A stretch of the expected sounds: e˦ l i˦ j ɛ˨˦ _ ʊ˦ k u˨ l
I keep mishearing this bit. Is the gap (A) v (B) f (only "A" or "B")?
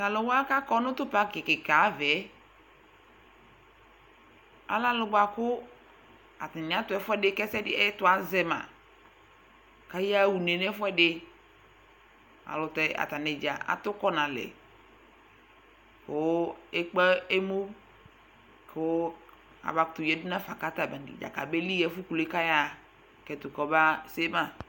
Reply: B